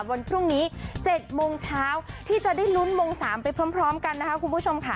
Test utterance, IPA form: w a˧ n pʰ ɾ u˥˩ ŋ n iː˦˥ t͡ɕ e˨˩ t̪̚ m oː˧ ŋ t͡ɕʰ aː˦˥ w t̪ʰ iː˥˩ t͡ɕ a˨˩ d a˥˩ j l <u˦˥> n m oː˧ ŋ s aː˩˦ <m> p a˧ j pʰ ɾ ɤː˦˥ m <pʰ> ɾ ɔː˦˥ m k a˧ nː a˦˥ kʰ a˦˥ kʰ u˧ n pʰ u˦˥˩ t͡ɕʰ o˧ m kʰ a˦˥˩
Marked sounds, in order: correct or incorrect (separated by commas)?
correct, correct, correct